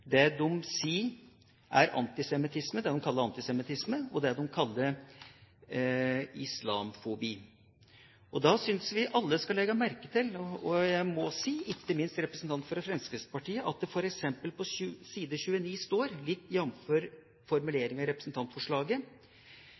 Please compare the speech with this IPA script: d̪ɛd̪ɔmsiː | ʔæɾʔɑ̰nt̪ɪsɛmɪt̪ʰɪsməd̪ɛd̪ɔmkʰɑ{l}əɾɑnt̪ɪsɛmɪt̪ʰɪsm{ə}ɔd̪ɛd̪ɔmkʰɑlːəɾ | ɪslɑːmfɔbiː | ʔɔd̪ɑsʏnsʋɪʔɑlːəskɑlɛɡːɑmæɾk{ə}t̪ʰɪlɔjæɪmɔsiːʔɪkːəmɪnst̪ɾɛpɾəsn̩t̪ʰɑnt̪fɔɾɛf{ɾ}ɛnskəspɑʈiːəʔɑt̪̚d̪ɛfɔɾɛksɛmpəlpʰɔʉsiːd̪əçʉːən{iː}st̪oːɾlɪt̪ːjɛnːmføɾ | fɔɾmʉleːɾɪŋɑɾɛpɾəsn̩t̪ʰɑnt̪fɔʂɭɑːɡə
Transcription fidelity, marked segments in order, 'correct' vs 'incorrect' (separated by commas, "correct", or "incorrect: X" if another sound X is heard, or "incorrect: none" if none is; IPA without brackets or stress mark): incorrect: lː, correct, correct, correct, correct